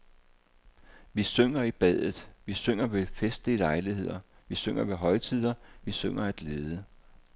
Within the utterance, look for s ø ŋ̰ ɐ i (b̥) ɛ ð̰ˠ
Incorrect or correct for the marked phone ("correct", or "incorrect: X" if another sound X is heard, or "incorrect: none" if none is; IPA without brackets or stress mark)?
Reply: correct